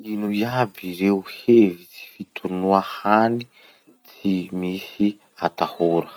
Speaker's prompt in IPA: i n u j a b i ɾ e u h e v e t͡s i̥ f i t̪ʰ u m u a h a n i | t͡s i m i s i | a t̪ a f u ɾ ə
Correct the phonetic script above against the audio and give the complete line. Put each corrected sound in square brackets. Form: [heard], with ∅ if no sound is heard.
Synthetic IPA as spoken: i n u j a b i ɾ e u h e v [i] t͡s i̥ f i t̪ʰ u [n] u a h a n i | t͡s i m i s i | a t̪ a [h] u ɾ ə